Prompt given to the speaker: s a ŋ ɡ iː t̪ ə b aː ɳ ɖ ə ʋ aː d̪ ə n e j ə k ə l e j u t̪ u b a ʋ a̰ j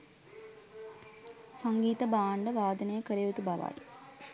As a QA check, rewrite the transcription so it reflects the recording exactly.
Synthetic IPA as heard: s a ŋ ɡ iː t̪ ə b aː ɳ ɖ ə ʋ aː d̪ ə n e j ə k ə ɾ e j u t̪ u b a ʋ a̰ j